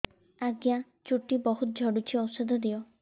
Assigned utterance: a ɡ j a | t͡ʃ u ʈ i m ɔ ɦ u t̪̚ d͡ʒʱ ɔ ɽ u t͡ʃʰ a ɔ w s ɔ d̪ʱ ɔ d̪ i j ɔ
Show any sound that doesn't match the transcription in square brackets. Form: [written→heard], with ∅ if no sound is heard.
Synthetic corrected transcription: a ɡ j a | t͡ʃ u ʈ i [m→b] ɔ ɦ u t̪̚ d͡ʒʱ ɔ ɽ u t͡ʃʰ [a→i] ɔ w s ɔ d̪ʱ ɔ d̪ i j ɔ